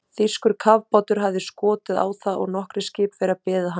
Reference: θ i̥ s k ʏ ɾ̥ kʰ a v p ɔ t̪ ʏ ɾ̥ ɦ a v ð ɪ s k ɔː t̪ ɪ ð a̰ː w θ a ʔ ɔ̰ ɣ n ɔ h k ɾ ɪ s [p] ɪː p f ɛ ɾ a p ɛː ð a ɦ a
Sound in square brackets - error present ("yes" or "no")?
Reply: yes